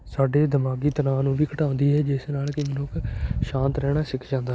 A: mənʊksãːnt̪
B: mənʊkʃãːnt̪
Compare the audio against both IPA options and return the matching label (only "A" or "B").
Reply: B